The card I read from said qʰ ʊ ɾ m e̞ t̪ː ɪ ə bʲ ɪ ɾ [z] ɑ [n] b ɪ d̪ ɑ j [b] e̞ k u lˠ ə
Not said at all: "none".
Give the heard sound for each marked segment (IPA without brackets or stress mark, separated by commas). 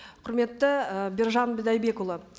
ʒ, n, b